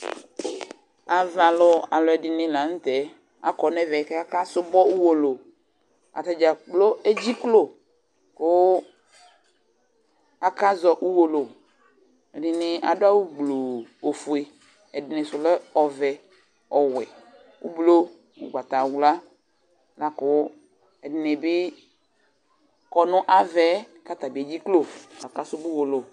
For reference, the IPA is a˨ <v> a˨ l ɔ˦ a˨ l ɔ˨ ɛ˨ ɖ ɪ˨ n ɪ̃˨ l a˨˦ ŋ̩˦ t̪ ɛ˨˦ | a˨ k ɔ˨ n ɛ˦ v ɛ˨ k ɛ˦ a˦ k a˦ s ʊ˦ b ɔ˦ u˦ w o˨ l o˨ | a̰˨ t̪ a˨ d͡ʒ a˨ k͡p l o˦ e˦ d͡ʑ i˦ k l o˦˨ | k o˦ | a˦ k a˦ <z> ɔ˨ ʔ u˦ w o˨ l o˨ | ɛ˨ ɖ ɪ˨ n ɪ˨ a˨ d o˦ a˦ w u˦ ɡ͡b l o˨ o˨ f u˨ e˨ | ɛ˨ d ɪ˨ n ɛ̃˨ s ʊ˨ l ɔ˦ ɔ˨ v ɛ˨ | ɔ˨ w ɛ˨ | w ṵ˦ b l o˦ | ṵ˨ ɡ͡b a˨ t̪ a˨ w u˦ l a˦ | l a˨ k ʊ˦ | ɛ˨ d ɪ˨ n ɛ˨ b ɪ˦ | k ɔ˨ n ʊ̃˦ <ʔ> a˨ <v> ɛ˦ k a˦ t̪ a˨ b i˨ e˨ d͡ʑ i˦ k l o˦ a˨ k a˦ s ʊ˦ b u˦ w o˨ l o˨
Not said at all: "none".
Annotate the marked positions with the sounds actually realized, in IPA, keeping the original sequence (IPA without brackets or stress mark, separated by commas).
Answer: v, z, ʔ, v